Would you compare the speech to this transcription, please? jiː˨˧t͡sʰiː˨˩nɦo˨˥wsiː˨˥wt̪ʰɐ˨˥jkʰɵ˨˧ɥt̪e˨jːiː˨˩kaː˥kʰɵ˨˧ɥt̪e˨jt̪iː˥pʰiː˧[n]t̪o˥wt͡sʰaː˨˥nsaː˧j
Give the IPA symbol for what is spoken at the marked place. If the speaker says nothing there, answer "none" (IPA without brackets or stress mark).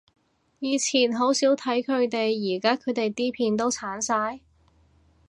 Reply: n